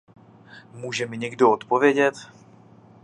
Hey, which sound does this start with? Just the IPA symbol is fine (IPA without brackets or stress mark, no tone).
m